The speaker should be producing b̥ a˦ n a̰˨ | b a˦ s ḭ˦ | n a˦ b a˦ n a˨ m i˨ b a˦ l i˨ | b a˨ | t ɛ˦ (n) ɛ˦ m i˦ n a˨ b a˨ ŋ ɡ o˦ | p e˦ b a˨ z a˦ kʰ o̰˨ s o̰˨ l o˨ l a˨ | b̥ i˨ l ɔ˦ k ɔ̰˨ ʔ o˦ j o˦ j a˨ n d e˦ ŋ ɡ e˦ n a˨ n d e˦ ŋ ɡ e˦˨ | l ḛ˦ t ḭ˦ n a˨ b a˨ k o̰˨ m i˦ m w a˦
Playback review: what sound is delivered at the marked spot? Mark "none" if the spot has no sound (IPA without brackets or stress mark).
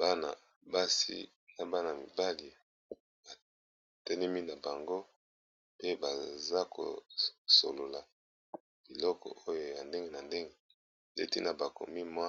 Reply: n